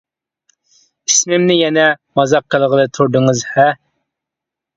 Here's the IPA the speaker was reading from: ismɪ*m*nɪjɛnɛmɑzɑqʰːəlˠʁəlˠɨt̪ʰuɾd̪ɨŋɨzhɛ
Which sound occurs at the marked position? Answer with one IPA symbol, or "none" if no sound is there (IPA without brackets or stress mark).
m